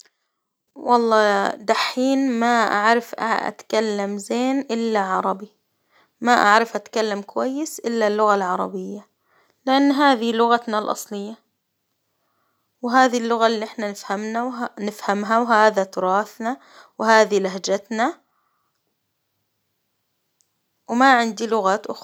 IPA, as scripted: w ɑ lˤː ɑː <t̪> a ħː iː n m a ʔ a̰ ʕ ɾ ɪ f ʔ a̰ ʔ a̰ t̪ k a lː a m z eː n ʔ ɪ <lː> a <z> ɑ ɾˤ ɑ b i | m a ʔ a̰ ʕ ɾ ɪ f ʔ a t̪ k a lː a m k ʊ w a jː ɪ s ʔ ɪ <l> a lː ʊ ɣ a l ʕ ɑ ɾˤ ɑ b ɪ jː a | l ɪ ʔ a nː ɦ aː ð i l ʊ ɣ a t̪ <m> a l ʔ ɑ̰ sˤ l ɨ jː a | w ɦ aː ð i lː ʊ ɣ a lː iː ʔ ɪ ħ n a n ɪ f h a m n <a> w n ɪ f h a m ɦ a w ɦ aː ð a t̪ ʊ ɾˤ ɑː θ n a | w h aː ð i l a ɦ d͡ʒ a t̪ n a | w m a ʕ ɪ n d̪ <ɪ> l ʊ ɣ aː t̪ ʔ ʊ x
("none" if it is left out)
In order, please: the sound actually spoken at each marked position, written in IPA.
d̪, lː, ʕ, lː, n, a, i

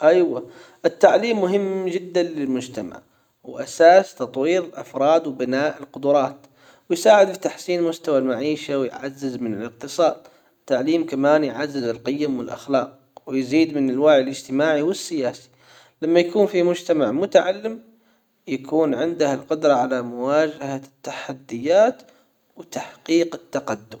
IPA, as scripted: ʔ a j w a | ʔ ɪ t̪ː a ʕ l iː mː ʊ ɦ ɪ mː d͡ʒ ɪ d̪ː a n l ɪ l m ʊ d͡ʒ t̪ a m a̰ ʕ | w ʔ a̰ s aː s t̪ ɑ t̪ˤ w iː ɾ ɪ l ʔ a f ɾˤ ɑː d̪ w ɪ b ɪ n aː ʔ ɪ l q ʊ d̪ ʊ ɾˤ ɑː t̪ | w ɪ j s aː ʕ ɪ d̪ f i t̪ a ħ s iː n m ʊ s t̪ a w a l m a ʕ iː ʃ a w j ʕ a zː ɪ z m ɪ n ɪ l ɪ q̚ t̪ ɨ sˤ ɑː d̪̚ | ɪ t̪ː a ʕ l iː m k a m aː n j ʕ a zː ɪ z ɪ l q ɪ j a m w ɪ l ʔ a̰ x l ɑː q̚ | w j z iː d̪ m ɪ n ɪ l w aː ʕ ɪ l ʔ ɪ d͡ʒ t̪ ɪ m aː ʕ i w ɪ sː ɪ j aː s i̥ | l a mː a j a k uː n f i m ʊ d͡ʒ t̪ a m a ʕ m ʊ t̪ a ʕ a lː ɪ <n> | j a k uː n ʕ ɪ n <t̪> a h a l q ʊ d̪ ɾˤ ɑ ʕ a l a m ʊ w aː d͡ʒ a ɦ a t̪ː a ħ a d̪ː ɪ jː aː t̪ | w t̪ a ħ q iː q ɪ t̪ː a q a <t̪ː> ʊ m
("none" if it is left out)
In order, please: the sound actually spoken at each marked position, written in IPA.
m, d̪, d̪ː

